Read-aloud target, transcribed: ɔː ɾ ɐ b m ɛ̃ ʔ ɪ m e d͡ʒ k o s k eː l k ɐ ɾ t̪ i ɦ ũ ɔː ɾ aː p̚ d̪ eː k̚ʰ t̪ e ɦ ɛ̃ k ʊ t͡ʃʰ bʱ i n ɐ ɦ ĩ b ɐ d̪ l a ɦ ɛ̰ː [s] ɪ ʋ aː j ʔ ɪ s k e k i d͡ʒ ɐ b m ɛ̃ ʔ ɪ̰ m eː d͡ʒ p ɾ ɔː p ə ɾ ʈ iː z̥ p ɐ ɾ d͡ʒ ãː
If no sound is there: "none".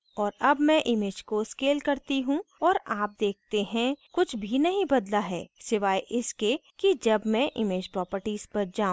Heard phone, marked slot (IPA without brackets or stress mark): s